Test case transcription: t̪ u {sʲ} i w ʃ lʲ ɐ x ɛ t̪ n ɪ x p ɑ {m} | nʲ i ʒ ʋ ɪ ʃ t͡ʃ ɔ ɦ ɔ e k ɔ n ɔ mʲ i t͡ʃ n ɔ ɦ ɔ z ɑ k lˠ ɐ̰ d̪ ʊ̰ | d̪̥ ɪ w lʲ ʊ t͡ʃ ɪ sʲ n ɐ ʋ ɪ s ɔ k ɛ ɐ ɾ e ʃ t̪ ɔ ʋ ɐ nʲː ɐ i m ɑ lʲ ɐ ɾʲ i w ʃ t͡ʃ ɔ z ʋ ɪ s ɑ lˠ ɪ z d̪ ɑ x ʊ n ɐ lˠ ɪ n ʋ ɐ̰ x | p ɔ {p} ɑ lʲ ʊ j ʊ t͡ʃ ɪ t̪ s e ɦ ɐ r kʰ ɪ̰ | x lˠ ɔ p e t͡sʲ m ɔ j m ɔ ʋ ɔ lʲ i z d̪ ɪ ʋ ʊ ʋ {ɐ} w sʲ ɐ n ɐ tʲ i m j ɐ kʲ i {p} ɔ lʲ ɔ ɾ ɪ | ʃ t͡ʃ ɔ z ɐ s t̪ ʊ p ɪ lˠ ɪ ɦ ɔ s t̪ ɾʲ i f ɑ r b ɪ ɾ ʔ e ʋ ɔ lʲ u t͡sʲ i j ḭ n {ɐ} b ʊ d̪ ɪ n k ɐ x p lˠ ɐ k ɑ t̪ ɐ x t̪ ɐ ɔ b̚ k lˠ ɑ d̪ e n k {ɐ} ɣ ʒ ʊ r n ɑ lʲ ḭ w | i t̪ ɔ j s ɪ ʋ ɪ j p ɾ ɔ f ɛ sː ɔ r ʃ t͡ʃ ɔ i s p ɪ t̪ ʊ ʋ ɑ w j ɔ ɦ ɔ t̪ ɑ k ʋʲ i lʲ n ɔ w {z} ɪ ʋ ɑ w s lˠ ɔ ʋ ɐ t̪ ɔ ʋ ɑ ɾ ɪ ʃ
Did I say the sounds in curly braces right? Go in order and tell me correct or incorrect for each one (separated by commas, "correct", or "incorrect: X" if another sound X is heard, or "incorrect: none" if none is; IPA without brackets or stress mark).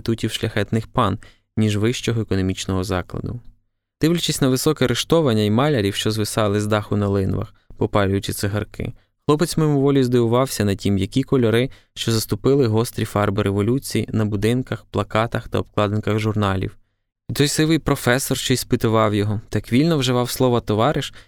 incorrect: tʲ, incorrect: n, correct, incorrect: ɑ, incorrect: k, correct, correct, incorrect: ʒ